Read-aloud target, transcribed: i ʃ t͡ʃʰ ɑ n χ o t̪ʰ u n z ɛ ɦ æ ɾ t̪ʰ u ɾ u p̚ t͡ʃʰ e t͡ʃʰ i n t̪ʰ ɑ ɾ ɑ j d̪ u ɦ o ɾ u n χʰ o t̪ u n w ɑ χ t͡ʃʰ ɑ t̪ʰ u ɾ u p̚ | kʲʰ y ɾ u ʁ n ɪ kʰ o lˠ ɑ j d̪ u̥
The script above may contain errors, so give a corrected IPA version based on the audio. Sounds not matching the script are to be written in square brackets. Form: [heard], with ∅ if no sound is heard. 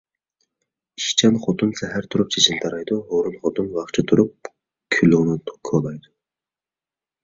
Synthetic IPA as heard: i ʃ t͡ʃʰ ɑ n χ o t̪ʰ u n [s] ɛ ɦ æ ɾ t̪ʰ u ɾ u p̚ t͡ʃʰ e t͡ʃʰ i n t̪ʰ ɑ ɾ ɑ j d̪ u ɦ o ɾ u n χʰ o t̪ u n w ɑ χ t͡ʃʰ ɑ t̪ʰ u ɾ u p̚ | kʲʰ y [l] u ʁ n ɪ kʰ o lˠ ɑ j d̪ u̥

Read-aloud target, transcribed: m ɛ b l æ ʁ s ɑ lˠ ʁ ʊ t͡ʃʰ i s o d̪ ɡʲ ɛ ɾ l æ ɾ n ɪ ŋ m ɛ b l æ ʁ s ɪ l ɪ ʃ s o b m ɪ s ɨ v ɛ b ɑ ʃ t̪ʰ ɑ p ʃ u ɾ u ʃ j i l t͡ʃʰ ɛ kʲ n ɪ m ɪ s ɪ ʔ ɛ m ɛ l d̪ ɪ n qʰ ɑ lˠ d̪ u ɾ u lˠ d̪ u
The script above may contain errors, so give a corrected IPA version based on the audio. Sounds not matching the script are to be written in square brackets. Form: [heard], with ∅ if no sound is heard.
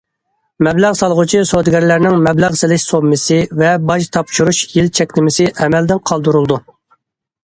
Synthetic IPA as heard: m ɛ b l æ ʁ s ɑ lˠ ʁ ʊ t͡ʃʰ i s o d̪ ɡʲ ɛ ɾ l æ ɾ n ɪ ŋ m ɛ b l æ ʁ s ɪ l ɪ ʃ s o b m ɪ s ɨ v ɛ b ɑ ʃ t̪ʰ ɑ p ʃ u ɾ u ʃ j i l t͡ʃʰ ɛ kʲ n ɪ m ɪ s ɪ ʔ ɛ m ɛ l d̪ ɪ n qʰ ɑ lˠ d̪ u ɾ u lˠ d̪ u

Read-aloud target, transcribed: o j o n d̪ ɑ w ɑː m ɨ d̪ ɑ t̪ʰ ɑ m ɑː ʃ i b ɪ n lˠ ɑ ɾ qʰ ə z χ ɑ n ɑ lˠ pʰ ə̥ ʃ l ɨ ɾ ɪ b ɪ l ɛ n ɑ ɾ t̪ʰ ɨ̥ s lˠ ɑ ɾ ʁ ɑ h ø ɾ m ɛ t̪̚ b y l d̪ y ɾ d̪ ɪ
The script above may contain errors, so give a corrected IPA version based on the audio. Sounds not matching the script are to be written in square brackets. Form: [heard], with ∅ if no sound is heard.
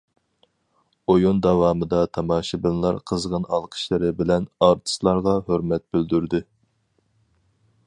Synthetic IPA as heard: o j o n d̪ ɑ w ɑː m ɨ d̪ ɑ t̪ʰ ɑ m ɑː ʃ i b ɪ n lˠ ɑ ɾ qʰ ə z [ʁ] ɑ n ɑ lˠ [qʰ] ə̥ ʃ l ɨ ɾ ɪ b ɪ l ɛ n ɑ ɾ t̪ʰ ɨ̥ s lˠ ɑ ɾ ʁ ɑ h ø ɾ m ɛ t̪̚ b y l d̪ y ɾ d̪ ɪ

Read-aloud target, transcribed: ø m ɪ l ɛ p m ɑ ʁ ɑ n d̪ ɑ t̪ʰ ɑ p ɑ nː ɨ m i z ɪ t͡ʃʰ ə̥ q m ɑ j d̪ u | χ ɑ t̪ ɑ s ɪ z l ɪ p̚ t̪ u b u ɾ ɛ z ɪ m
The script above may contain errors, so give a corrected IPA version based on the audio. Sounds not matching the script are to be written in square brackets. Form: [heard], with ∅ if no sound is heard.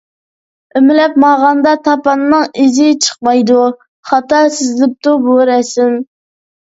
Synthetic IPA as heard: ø m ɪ l ɛ p m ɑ ʁ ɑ n d̪ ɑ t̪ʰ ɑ p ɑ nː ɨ [ŋ] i z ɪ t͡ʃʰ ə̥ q m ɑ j d̪ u | χ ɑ t̪ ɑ s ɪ z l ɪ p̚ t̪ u b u ɾ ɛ [s] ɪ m

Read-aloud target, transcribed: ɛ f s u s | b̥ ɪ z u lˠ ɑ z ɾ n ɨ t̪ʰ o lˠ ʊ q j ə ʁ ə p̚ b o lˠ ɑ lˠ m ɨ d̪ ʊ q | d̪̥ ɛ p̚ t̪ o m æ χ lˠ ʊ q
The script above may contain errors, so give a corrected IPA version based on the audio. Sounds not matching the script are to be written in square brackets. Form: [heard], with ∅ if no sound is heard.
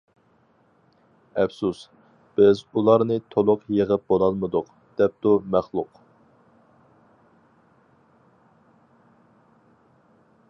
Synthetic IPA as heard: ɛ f s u s | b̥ ɪ z u lˠ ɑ [∅] ɾ n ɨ t̪ʰ o lˠ ʊ q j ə ʁ ə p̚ b o lˠ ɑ lˠ m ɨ d̪ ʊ q | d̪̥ ɛ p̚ t̪ [u] m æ χ lˠ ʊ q

